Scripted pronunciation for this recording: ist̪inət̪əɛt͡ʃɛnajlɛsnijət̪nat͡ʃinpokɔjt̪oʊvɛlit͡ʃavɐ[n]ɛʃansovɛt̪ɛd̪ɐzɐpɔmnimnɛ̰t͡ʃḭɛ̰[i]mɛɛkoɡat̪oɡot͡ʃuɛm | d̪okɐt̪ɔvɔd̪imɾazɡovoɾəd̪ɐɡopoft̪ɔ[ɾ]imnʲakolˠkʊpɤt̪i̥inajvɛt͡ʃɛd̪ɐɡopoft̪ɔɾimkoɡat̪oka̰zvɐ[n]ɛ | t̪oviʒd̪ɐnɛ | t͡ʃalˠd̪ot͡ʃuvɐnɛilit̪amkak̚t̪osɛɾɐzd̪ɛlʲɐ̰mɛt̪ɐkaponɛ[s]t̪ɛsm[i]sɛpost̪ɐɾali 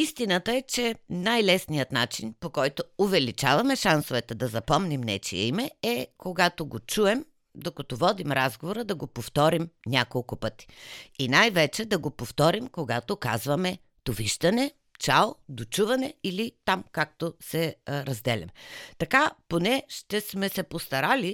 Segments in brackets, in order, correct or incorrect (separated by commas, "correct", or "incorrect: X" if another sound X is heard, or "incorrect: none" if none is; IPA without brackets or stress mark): incorrect: m, correct, correct, incorrect: m, incorrect: ʃ, incorrect: ɛ